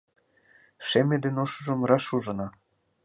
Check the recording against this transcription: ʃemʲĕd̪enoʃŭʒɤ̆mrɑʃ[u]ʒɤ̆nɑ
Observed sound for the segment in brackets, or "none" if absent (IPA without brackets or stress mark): u